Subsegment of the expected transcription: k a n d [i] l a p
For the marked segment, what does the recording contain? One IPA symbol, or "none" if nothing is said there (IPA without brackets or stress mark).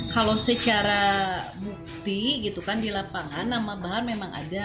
i